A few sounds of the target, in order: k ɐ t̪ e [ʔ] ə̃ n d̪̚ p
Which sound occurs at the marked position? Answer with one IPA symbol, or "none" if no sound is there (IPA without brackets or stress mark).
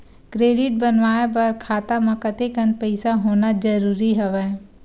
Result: k